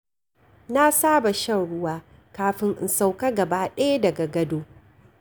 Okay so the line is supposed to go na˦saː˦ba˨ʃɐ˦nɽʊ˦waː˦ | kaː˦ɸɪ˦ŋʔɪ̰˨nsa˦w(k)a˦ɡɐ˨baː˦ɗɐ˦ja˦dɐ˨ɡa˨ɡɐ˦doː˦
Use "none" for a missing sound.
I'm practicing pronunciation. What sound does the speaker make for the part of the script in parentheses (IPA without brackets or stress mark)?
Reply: k